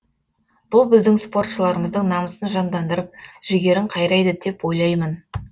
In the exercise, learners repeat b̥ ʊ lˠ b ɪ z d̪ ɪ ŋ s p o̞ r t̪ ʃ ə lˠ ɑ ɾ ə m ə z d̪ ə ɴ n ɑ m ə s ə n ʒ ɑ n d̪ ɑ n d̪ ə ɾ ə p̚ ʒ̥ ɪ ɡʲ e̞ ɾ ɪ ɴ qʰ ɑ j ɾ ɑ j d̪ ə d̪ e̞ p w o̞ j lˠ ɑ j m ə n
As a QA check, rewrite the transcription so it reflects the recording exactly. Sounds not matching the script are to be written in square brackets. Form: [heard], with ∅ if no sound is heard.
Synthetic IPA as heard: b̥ ʊ lˠ b ɪ z d̪ ɪ ŋ s p o̞ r t̪ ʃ ə lˠ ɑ ɾ ə m ə z d̪ ə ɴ n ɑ m ə s ə n ʒ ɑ n d̪ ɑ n d̪ ə ɾ ə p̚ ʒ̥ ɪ ɡʲ e̞ ɾ ɪ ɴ qʰ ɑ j ɾ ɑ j d̪ ə d̪ e̞ p w o̞ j lˠ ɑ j m ə n